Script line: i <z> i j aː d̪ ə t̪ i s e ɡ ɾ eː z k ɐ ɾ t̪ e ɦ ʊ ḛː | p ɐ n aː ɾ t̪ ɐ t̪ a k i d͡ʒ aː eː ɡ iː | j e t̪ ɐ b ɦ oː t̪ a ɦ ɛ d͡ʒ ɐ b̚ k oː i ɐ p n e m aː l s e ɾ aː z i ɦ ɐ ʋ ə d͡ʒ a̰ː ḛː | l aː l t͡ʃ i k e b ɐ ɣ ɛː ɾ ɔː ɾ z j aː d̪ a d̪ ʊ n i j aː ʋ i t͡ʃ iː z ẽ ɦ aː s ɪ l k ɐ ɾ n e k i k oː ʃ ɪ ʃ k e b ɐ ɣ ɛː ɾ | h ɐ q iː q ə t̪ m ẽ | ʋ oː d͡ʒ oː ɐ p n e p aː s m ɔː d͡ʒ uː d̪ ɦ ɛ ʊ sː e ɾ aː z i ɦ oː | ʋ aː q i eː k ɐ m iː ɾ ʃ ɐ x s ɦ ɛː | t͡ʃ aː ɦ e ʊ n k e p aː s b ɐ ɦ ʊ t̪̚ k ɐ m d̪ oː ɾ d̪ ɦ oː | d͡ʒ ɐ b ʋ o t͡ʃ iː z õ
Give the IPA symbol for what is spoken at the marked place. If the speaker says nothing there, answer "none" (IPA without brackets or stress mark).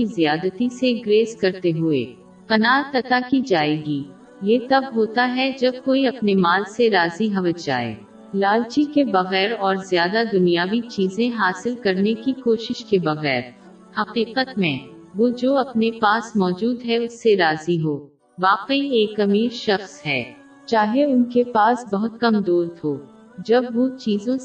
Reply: z